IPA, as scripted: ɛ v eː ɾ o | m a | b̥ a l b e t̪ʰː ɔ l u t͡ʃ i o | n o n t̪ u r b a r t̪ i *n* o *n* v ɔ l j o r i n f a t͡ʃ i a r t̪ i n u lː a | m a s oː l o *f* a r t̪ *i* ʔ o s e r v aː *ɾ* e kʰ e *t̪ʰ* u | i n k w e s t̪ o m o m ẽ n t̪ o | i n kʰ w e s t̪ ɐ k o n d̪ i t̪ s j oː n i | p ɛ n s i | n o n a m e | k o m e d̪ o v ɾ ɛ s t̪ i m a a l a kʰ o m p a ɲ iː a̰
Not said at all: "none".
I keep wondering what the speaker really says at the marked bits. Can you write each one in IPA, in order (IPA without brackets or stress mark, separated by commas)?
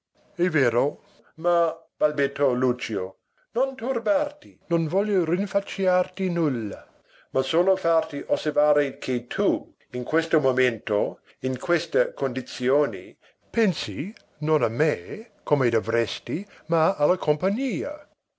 n, n, f, i, ɾ, t̪ʰ